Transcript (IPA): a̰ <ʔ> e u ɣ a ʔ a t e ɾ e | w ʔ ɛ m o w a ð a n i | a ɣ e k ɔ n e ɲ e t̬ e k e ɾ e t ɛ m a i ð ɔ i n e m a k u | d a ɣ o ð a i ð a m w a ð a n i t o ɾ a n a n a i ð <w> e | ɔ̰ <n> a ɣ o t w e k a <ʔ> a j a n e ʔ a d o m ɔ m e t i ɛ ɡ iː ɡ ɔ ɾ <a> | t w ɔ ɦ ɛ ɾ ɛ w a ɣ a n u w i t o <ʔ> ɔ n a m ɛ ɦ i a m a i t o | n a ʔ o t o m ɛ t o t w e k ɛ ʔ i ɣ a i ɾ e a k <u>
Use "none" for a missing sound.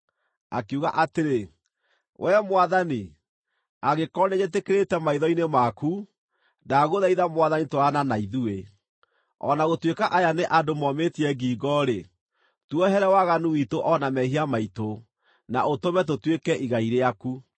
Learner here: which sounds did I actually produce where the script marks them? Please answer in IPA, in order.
k, u, n, ʔ, e, ʔ, u

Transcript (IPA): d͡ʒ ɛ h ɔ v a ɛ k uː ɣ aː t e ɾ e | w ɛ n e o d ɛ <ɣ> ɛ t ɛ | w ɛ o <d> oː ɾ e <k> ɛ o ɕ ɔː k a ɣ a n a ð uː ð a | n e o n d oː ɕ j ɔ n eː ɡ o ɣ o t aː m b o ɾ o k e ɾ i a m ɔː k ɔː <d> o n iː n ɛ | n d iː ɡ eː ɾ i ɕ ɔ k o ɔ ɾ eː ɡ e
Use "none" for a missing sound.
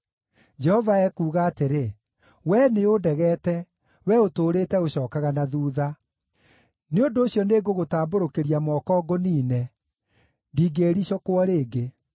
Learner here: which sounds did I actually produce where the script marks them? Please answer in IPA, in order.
ɣ, t, t, ɡ

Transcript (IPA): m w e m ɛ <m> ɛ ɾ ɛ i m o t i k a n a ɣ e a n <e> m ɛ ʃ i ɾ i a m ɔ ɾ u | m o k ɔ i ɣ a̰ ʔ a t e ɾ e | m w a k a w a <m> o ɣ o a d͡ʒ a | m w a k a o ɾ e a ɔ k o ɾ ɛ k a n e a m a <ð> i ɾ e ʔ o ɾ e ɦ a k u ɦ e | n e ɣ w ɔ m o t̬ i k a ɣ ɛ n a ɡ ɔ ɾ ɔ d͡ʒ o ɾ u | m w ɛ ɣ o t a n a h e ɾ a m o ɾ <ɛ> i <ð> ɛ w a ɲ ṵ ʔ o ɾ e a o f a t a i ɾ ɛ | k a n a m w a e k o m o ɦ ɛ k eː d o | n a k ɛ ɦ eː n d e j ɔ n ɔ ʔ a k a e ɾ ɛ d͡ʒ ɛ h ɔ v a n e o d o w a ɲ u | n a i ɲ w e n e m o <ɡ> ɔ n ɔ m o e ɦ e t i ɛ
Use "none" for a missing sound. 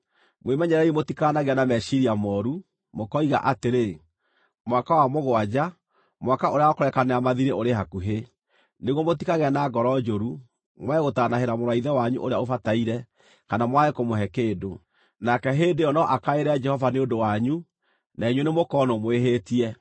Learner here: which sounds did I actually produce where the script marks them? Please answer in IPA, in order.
ɲ, a, m, ð, a, ð, k

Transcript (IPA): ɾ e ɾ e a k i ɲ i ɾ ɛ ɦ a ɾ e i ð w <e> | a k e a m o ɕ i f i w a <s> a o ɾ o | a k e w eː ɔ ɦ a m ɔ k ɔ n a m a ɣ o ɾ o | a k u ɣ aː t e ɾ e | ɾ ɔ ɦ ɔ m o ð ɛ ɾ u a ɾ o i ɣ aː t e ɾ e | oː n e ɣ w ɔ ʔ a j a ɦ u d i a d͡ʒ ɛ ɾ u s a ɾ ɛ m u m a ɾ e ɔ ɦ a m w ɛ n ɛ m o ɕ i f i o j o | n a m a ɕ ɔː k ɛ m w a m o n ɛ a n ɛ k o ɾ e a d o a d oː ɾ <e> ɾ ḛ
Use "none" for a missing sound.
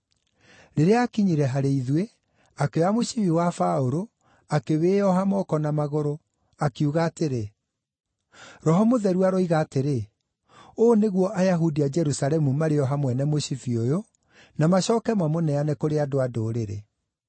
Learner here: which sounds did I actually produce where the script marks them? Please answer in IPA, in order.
e, f, e

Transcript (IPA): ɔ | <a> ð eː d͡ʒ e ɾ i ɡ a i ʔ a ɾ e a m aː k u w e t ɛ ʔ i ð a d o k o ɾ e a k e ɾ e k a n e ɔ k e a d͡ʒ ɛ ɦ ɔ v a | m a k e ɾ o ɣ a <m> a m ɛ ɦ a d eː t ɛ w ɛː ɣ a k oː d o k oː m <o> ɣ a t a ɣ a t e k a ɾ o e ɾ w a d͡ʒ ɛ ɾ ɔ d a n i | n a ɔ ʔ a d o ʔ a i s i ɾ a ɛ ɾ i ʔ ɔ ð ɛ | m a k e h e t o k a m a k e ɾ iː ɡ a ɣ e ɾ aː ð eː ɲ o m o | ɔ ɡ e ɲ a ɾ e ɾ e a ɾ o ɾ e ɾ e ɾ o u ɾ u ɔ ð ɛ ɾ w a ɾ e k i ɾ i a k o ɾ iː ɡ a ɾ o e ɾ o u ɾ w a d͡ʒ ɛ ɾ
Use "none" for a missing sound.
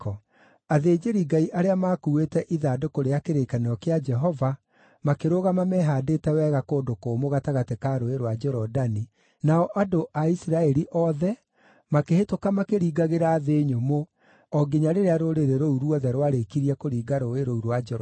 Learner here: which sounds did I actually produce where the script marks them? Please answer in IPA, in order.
a, m, o

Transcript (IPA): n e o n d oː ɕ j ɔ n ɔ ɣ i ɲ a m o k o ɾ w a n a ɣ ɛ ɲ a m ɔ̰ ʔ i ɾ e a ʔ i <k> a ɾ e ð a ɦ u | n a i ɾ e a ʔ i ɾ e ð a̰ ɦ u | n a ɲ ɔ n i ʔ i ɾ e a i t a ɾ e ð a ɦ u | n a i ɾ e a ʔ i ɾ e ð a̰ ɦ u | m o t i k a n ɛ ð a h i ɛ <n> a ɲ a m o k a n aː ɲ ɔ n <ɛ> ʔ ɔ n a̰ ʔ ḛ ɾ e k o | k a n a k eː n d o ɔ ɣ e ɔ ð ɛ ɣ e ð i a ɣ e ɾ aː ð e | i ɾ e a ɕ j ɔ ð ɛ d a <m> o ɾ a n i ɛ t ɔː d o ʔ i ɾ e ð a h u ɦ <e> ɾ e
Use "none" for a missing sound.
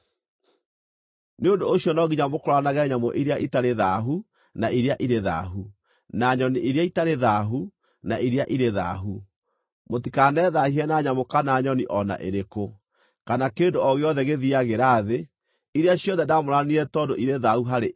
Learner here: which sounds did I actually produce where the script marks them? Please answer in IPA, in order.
t, n, i, m, a

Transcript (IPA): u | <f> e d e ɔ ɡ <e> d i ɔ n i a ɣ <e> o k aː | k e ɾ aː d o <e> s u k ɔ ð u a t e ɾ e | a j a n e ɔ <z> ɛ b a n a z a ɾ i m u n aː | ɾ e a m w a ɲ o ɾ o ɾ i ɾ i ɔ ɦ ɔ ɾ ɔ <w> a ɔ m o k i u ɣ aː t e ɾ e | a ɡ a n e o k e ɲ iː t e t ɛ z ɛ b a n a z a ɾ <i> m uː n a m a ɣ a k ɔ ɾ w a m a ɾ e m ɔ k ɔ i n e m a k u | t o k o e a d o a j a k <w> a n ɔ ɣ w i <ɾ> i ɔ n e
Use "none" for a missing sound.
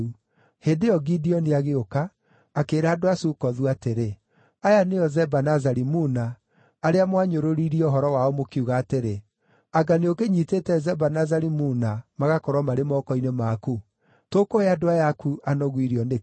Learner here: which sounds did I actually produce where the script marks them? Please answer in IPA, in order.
h, i, e, a, z, w, i, u, ɾ

